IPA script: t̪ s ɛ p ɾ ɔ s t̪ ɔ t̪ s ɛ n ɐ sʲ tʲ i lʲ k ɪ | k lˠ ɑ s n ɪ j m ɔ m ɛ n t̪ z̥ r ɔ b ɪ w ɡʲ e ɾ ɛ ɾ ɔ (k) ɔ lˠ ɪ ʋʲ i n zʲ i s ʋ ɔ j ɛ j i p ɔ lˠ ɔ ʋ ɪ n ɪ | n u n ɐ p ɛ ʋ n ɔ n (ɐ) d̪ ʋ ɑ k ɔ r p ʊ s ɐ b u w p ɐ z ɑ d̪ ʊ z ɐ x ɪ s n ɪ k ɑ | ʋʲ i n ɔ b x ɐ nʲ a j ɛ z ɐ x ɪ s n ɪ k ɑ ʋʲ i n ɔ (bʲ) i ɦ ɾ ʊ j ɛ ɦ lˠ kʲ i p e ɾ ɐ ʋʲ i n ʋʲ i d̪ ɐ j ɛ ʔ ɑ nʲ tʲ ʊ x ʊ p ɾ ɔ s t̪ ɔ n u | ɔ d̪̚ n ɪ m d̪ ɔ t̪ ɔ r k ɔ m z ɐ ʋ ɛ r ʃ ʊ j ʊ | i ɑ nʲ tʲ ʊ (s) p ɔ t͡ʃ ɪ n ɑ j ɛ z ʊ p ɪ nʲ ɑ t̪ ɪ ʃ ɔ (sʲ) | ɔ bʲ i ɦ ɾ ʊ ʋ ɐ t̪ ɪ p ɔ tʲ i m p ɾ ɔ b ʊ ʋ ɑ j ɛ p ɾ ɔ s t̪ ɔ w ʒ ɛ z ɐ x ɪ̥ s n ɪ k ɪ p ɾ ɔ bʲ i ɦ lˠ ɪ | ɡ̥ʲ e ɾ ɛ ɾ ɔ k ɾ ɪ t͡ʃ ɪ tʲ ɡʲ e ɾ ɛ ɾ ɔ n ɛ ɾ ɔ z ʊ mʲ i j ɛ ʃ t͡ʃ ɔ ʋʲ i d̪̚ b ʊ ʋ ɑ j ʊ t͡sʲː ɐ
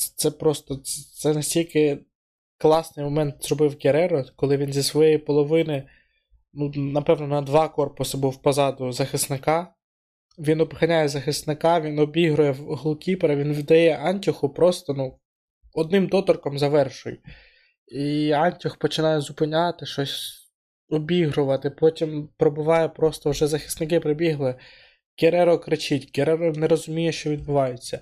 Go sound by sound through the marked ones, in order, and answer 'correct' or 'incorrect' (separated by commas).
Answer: correct, correct, correct, incorrect, correct